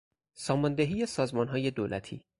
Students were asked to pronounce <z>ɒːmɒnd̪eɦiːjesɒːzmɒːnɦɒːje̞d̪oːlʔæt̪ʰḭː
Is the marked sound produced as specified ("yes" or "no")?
no